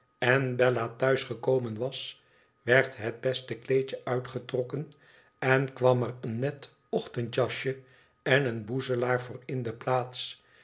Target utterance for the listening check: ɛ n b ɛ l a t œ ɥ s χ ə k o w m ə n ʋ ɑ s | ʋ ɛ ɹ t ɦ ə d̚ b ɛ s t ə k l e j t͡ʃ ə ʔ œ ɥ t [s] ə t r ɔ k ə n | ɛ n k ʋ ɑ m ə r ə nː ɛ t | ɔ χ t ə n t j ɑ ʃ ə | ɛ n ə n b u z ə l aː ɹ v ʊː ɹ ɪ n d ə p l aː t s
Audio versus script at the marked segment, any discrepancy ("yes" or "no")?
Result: yes